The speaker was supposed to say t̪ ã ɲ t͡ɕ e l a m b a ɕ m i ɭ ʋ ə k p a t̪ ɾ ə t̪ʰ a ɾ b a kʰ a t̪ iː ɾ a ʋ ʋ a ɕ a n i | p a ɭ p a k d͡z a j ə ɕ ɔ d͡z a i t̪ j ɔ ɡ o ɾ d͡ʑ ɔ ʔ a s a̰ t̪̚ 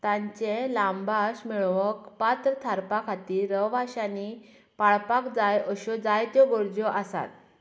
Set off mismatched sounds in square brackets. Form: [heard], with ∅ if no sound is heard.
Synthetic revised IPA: t̪ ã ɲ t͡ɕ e l a m b a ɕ m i ɭ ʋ ə k p a t̪ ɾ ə t̪ʰ a ɾ [p] a kʰ a t̪ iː ɾ [ə] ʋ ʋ a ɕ a n i | p a ɭ p a k d͡z a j ə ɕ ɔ d͡z a [j] t̪ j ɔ ɡ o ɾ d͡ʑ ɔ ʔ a s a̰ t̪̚